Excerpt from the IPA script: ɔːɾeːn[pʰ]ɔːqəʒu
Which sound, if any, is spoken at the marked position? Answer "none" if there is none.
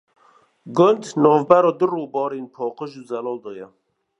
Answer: pʰ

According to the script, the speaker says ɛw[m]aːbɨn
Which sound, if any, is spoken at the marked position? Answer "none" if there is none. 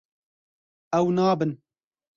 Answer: n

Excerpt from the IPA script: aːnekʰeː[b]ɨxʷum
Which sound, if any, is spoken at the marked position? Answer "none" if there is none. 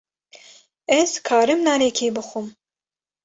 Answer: b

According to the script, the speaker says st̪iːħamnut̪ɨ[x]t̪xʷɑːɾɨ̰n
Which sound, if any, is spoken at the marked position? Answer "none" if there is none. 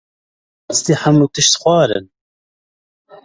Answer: ʃ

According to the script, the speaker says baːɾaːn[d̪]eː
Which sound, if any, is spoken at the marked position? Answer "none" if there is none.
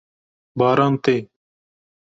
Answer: t̪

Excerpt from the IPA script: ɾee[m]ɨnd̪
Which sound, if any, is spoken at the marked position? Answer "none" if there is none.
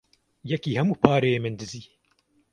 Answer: m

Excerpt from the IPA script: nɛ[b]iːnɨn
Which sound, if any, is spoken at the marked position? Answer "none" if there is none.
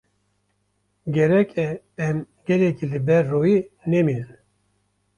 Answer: m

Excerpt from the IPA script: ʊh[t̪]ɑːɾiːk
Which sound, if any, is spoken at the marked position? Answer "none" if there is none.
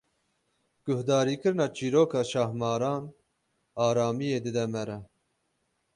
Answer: d̪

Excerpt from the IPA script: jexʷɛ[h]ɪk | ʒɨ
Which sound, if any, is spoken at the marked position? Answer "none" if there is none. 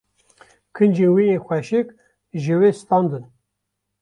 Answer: ʃ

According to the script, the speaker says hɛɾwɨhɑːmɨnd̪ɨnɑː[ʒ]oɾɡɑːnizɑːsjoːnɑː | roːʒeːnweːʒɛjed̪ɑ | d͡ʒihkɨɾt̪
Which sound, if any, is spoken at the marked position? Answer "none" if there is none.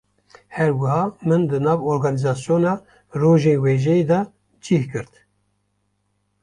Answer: v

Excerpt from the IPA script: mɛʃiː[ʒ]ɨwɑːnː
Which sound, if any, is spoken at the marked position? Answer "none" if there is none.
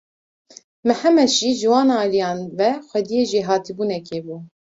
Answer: ʒ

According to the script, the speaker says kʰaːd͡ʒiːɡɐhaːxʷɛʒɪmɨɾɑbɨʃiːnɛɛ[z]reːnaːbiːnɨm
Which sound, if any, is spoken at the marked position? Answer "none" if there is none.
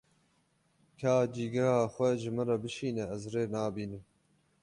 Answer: z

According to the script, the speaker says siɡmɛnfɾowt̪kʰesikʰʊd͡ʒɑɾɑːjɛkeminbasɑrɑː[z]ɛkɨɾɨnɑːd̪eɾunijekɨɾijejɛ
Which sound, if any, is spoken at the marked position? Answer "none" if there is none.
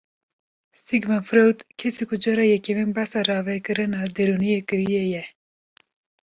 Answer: v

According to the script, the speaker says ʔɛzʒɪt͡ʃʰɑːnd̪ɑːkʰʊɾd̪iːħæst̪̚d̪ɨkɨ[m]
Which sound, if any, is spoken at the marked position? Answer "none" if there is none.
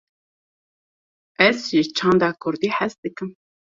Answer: m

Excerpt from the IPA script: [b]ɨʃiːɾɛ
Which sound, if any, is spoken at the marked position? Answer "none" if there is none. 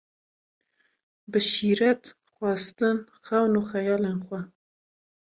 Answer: b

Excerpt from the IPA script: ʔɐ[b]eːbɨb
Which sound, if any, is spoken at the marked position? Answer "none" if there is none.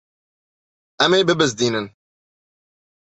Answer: m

